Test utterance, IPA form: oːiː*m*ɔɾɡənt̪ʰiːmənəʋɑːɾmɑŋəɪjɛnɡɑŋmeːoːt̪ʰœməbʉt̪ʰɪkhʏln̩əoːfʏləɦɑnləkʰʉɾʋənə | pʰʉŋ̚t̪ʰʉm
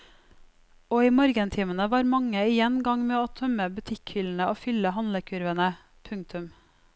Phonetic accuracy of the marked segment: correct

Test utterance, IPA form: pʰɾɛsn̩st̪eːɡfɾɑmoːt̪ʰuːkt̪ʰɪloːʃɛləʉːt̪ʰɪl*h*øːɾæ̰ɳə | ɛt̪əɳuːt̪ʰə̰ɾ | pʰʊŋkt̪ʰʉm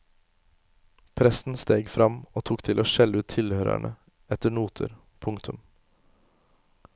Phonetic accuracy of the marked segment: correct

